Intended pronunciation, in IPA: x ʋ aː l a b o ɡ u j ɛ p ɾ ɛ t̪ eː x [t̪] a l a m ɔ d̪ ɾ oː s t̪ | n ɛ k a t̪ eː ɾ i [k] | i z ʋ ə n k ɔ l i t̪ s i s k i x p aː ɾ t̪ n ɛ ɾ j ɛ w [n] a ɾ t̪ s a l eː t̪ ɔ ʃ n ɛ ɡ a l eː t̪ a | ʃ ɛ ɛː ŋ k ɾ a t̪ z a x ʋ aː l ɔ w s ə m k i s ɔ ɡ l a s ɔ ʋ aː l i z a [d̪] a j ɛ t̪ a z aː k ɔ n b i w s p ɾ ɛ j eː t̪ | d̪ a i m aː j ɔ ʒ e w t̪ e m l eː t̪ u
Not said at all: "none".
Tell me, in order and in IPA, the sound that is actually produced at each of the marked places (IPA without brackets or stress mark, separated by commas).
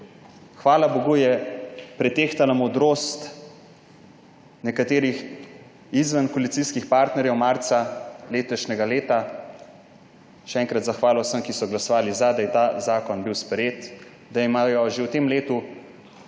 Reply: t̪, x, m, d̪